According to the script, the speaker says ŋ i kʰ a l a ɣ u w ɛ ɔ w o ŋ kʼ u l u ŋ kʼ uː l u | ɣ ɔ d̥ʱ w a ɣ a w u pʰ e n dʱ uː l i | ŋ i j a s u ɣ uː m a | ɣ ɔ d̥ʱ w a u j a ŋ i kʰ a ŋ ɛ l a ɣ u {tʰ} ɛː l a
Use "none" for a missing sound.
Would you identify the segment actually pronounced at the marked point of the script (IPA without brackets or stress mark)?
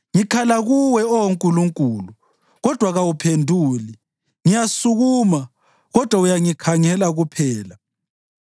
pʰ